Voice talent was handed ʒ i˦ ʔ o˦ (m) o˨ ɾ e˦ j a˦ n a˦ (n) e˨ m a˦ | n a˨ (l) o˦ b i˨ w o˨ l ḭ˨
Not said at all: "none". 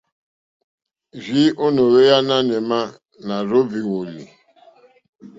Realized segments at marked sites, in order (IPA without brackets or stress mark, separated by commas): n, n, ɾ